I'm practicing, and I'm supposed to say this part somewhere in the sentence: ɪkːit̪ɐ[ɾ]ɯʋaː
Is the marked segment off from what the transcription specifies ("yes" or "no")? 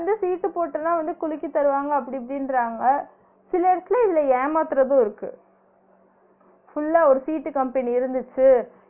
no